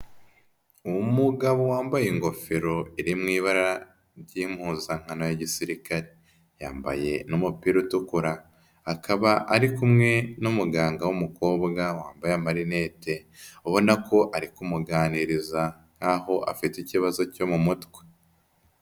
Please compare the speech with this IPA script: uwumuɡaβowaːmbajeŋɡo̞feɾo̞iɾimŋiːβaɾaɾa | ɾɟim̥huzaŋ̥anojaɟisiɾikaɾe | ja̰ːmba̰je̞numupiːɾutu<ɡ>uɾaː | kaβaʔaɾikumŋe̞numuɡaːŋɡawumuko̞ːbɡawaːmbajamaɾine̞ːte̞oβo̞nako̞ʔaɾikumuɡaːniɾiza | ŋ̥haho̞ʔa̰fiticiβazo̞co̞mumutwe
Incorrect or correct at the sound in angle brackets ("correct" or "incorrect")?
incorrect